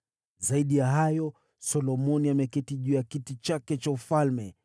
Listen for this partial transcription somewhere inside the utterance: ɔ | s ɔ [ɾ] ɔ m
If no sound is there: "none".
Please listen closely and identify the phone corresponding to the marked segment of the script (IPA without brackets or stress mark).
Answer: l